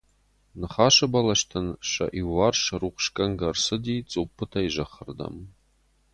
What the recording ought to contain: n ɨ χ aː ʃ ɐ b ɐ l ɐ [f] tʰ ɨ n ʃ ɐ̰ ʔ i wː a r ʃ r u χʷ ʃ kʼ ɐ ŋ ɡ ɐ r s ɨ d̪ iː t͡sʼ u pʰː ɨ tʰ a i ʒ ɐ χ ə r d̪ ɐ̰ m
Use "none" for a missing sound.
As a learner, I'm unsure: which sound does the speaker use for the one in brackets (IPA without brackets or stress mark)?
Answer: ʃ